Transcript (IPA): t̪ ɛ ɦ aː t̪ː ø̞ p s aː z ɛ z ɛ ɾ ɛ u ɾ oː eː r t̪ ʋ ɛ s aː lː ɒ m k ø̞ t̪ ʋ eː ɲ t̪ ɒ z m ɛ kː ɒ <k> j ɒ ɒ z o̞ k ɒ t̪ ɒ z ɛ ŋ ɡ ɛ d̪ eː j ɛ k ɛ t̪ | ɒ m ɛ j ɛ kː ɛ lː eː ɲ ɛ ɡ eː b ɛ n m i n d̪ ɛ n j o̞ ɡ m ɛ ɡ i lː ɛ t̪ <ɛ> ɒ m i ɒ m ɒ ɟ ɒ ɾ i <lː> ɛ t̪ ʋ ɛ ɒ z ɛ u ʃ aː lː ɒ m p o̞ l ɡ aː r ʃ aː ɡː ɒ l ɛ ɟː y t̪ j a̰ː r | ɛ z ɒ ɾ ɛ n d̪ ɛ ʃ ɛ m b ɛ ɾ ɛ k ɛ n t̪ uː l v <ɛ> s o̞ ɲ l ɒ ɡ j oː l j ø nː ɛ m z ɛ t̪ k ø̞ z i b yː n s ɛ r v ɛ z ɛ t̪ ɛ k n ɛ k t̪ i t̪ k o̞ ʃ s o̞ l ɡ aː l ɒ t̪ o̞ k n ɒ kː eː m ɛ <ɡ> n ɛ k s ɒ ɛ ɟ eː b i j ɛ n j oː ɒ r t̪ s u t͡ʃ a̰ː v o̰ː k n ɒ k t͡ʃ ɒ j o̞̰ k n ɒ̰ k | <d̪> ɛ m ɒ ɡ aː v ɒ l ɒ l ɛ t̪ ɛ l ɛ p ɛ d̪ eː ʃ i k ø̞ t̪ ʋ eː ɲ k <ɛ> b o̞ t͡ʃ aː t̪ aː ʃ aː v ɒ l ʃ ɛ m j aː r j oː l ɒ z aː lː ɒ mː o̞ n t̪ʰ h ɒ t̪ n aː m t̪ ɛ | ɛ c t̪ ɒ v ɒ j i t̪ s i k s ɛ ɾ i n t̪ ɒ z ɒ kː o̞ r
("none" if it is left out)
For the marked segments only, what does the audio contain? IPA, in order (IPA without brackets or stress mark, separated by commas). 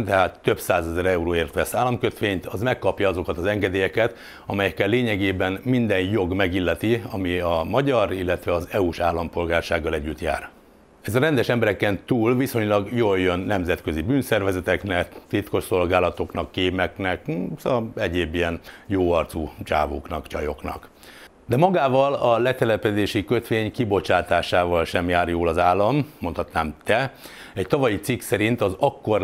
p, i, lː, i, k, d̪, i